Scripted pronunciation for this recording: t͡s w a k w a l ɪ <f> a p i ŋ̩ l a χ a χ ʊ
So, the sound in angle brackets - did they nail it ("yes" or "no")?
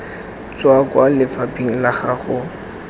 yes